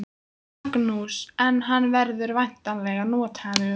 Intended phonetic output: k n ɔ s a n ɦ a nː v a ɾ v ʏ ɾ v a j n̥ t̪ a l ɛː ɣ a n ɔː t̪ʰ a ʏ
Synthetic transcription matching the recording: k n u s ɛ n ɦ a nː v ɛ ɾ ð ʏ ɾ v a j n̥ t̪ a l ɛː ɣ a n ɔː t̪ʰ a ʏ